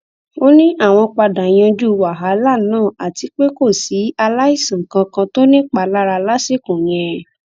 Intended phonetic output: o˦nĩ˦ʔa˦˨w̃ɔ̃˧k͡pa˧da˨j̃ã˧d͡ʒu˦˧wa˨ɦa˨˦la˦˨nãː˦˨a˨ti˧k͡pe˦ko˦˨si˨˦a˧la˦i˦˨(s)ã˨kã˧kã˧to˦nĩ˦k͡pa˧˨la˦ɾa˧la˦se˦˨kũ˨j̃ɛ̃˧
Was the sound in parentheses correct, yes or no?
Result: yes